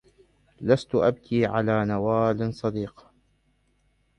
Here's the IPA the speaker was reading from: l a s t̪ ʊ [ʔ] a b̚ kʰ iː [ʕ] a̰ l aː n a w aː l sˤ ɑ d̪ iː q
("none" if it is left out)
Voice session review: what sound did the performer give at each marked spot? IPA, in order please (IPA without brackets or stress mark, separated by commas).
ʔ, ʕ